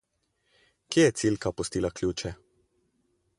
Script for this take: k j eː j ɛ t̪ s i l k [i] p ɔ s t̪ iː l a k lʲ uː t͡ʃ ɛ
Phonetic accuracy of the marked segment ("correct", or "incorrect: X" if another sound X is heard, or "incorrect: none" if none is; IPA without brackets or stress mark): incorrect: a